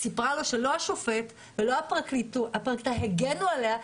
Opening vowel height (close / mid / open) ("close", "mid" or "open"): close